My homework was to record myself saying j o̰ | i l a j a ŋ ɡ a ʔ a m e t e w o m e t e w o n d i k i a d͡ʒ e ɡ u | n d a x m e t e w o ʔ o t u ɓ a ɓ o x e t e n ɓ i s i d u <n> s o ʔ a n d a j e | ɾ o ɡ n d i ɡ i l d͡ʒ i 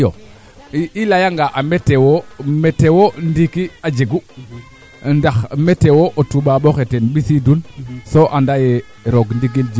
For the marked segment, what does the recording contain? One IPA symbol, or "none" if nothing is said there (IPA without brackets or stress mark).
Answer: n